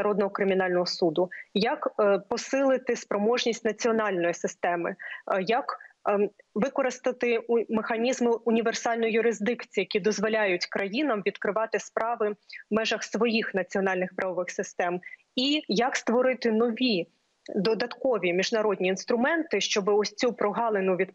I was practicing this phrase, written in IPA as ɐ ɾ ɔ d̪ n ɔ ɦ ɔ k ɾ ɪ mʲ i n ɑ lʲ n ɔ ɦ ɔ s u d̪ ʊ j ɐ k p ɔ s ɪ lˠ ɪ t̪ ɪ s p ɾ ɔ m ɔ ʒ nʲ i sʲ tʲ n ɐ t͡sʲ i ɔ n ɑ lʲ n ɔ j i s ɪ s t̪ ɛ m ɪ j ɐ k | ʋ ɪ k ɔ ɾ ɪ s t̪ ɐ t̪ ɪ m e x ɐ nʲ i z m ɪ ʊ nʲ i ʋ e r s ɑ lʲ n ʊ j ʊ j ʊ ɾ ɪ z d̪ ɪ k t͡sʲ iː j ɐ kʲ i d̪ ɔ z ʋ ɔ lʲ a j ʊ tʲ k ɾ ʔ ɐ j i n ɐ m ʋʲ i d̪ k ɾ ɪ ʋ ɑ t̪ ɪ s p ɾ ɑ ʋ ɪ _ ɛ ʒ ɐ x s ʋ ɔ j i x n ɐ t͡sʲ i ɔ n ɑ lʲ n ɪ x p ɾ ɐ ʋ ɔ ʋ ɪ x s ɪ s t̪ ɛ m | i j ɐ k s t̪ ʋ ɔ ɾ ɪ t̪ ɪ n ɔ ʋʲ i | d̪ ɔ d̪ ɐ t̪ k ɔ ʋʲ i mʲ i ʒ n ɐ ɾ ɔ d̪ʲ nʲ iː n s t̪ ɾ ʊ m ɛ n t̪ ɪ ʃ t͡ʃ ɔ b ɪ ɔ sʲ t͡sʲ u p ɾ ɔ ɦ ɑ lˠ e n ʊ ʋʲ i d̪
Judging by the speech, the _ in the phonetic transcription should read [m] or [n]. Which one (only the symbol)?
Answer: m